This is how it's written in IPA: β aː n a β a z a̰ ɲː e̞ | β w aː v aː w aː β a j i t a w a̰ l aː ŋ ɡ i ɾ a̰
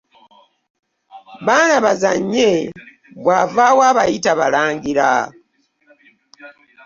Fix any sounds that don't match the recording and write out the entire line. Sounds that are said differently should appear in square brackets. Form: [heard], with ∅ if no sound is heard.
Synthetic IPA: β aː n a β a z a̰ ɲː e̞ | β w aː v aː w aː β a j i t a [β] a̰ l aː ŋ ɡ i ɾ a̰